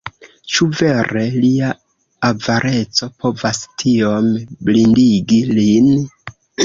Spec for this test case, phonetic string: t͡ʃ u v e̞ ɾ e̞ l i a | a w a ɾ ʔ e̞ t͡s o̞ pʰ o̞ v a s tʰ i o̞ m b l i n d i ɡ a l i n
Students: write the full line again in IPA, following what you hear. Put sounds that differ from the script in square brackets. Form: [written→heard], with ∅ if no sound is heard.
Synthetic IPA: t͡ʃ u v e̞ ɾ e̞ l i a | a [w→v] a ɾ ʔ e̞ t͡s o̞ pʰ o̞ v a s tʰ i o̞ m b l i n d i ɡ [a→i] l i n